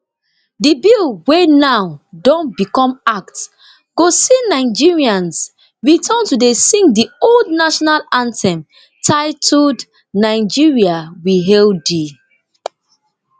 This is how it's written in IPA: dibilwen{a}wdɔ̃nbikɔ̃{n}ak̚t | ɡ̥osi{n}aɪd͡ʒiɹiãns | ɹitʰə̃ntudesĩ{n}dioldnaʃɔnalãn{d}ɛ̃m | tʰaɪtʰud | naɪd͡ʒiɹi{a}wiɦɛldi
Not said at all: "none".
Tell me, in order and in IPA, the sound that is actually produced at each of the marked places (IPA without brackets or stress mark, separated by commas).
a, m, n, ŋ, t, a